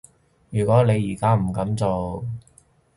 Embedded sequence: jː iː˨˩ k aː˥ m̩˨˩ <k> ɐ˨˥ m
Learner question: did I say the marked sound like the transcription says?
yes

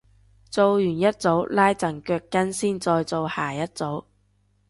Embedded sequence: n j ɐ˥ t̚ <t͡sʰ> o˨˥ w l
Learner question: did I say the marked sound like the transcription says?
no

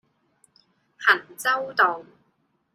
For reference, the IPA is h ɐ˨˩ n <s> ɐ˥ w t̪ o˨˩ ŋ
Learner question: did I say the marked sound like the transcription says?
no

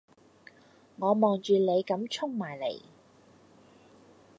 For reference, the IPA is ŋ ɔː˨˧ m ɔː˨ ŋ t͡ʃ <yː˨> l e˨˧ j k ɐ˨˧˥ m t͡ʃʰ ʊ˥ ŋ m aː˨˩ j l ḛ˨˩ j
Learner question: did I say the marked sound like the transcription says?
yes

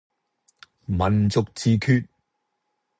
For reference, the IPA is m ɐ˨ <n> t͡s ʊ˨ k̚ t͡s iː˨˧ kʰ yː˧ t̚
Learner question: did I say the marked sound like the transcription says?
yes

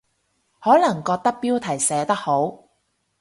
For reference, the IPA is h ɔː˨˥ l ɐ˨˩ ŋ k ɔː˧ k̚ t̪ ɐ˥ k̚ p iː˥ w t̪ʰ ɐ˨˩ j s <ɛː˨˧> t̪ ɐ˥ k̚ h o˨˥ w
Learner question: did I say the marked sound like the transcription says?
yes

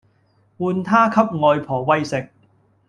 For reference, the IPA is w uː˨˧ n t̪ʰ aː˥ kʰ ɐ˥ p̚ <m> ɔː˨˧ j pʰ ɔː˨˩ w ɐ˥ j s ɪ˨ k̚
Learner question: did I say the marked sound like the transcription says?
no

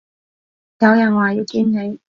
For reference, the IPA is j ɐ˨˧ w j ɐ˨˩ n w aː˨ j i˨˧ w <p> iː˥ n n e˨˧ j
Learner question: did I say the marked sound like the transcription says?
no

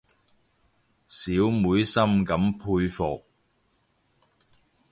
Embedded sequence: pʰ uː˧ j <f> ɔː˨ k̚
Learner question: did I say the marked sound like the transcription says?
yes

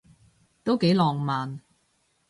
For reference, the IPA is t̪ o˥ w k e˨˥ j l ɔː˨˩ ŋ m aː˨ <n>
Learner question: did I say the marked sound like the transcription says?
yes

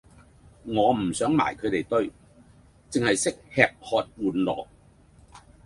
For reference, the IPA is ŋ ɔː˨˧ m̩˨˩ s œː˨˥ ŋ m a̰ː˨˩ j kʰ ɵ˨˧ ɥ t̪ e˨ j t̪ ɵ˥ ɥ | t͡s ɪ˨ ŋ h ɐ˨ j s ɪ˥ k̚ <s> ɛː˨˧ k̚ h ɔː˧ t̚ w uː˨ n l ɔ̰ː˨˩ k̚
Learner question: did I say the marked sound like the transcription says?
no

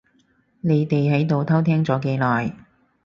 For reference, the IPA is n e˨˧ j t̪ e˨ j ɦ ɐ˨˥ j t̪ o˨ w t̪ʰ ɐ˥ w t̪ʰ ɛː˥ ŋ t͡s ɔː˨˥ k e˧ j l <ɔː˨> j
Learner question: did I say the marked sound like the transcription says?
yes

